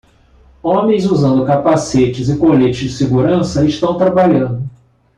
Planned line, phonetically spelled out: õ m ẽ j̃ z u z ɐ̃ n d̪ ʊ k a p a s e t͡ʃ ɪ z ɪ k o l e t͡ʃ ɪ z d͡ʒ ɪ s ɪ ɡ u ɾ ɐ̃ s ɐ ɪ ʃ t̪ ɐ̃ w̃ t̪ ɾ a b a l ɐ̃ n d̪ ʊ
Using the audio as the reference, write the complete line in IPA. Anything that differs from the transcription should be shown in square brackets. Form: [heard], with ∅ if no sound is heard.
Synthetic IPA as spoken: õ m ẽ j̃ z u z ɐ̃ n d̪ ʊ k a p a s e t͡ʃ ɪ z ɪ k o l e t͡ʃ ɪ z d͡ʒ ɪ s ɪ ɡ u ɾ ɐ̃ s ɐ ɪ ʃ t̪ ɐ̃ w̃ t̪ ɾ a b a [ʎ] ɐ̃ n d̪ ʊ